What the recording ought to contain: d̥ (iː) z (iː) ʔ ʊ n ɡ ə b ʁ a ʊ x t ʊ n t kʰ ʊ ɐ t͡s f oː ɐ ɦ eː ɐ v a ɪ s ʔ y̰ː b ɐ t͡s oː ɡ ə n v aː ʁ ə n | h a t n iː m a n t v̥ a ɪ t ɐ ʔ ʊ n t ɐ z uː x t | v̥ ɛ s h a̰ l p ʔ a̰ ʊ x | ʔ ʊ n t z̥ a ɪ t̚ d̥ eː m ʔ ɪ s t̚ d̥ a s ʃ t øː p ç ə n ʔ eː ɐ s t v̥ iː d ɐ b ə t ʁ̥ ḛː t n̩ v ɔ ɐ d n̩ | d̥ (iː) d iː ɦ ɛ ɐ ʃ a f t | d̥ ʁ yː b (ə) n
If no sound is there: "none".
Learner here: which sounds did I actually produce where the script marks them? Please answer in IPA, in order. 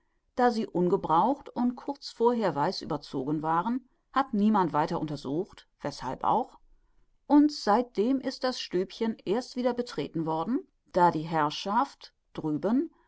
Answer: aː, iː, aː, ə

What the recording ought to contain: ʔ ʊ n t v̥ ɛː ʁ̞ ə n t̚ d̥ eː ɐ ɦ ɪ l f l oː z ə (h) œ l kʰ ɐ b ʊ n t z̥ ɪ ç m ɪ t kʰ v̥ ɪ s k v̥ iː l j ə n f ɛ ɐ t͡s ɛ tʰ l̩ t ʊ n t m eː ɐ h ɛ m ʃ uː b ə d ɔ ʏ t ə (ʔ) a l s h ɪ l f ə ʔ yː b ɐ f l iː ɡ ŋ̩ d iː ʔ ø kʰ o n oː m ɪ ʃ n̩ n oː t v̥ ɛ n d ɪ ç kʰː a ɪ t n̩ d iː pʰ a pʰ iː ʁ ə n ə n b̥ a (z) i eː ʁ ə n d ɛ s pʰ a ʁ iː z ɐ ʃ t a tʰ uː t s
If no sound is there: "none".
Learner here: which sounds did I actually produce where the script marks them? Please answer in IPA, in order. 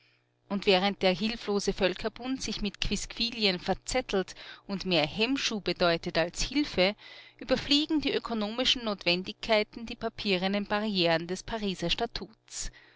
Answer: f, t, ʁ

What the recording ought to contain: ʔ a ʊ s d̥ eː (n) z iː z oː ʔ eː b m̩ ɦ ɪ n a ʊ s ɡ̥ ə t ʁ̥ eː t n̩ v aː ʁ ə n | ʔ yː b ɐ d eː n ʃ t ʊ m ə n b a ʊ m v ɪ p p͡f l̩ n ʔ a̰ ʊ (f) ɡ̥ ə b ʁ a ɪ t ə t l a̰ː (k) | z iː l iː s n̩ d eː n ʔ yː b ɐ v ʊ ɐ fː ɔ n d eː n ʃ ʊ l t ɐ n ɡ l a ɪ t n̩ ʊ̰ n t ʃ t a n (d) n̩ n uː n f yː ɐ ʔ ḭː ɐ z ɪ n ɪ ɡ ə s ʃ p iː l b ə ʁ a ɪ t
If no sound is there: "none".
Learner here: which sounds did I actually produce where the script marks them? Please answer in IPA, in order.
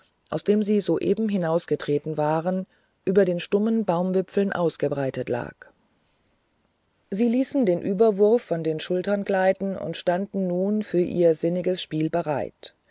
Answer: m, s, k, d

